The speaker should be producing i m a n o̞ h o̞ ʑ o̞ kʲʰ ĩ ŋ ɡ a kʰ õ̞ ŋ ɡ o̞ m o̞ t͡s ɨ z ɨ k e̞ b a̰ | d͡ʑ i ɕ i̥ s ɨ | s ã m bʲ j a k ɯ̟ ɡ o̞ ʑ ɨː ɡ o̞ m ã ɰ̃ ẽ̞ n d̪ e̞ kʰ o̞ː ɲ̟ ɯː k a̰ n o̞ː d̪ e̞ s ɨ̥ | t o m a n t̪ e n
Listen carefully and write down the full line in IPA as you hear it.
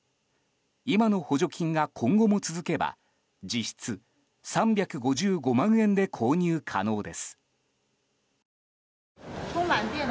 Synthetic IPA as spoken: i m a n o̞ h o̞ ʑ o̞ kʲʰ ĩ ŋ ɡ a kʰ õ̞ ŋ ɡ o̞ m o̞ t͡s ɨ z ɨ k e̞ b a̰ | d͡ʑ i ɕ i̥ t͡s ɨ | s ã m bʲ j a k ɯ̟ ɡ o̞ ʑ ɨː ɡ o̞ m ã ɰ̃ ẽ̞ n d̪ e̞ kʰ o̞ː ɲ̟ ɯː kʰ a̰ n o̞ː d̪ e̞ s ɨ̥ | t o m a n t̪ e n

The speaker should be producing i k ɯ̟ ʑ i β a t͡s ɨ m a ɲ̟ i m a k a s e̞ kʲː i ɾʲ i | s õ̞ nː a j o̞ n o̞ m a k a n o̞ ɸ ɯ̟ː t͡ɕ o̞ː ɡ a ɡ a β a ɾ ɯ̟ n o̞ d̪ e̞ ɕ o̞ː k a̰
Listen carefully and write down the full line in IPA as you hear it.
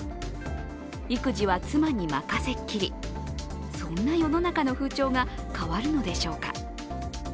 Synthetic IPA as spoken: i k ɯ̟ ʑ i β a t͡s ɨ m a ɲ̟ i m a k a s e̞ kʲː i ɾʲ i | s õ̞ nː a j o̞ n o̞ n a k a n o̞ ɸ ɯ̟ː t͡ɕ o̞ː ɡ a k a β a ɾ ɯ̟ n o̞ d̪ e̞ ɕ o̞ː k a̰

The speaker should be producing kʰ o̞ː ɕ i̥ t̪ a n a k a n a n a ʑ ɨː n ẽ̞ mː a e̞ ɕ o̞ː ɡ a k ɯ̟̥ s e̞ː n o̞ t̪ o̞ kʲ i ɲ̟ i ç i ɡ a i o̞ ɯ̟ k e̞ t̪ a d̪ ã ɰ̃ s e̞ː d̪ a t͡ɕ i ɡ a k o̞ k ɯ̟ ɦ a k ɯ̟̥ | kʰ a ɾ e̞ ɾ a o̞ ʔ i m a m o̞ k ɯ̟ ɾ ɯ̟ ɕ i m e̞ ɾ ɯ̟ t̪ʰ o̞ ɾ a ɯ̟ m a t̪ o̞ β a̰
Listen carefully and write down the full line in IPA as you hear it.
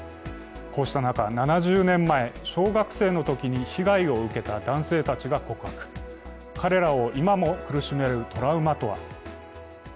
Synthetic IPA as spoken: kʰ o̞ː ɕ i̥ t̪ a n a k a n a n a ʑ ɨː n ẽ̞ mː a e̞ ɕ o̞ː ɡ a k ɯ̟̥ s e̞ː n o̞ t̪ o̞ kʲ i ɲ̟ i ç i ɡ a i o̞ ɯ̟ k e̞ t̪ a d̪ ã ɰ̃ s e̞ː t̪ a t͡ɕ i ɡ a k o̞ k ɯ̟ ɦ a k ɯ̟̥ | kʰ a ɾ e̞ ɾ a o̞ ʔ i m a m o̞ k ɯ̟ ɾ ɯ̟ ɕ i m e̞ ɾ ɯ̟ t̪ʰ o̞ ɾ a ɯ̟ m a t̪ o̞ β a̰

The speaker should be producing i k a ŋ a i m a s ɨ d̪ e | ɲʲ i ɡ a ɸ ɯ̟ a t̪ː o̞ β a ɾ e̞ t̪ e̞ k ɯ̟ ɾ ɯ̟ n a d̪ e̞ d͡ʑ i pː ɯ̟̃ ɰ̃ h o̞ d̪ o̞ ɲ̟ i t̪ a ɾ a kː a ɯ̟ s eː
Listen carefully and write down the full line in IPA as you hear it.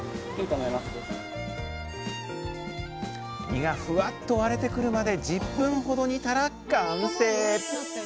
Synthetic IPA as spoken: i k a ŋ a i m a s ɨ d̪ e | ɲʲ i ɡ a ɸ ɯ̟ a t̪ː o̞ β a ɾ e̞ t̪ e̞ k ɯ̟ ɾ ɯ̟ m a d̪ e̞ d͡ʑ i pː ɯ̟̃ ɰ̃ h o̞ d̪ o̞ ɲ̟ i t̪ a ɾ a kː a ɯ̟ s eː

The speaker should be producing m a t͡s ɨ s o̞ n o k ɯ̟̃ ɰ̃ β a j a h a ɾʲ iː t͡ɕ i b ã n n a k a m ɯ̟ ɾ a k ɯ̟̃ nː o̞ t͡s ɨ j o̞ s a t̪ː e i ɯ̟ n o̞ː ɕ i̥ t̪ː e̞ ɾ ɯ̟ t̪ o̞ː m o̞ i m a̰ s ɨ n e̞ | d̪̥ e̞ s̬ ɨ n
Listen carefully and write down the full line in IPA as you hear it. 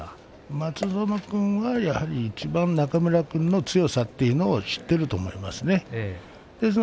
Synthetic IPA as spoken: m a t͡s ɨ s o̞ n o k ɯ̟̃ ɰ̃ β a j a h a ɾʲ iː t͡ɕ i b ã n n a k a m ɯ̟ ɾ a k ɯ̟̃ nː o̞ t͡s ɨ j o̞ s a t̪ː e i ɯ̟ n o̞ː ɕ i̥ t̪ː e̞ ɾ ɯ̟ t̪ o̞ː m o̞ i m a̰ s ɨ n e̞ | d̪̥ e̞ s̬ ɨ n

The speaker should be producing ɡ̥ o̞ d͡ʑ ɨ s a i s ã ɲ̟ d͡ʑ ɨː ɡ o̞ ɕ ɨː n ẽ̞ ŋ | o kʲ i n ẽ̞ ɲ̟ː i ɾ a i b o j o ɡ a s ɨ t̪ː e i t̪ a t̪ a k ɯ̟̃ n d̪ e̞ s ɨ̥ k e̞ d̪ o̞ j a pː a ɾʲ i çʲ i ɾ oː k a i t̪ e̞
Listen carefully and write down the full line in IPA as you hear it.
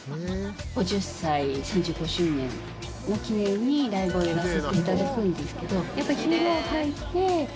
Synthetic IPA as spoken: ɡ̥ o̞ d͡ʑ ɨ s a i s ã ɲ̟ d͡ʑ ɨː ɡ o̞ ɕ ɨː n ẽ̞ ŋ | o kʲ i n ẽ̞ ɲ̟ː i ɾ a i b o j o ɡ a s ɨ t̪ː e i t̪ a d̪ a k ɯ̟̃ n d̪ e̞ s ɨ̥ k e̞ d̪ o̞ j a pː a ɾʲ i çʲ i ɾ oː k a i t̪ e̞

